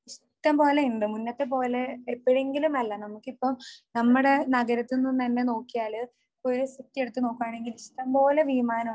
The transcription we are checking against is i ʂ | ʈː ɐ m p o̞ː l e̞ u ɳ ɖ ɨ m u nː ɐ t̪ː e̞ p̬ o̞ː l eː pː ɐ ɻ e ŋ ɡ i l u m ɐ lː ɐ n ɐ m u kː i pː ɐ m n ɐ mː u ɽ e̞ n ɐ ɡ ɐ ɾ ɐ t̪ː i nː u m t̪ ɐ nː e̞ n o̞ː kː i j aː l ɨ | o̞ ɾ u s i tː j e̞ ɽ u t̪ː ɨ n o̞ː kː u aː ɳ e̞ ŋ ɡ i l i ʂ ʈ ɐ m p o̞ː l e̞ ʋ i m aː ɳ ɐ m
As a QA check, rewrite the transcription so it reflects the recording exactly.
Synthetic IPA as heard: i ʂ | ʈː ɐ m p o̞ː l e̞ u ɳ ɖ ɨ m u nː ɐ t̪ː e̞ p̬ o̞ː l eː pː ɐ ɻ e ŋ ɡ i l u m ɐ lː ɐ n ɐ m u kː i pː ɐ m n ɐ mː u ɽ e̞ n ɐ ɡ ɐ ɾ ɐ t̪ː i nː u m t̪ ɐ nː e̞ n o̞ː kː i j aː l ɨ | o̞ ɾ u s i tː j e̞ ɽ u t̪ː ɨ n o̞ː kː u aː ɳ e̞ ŋ ɡ i l i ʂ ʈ ɐ m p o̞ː l e̞ ʋ i m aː n ɐ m